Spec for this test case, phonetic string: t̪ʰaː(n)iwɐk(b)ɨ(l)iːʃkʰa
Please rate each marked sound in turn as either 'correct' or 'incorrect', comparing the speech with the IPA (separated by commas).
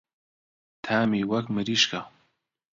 incorrect, incorrect, incorrect